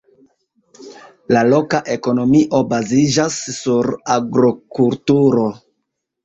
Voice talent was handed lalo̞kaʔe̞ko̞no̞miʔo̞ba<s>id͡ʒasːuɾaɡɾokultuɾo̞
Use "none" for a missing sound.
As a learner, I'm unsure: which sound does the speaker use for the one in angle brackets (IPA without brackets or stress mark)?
z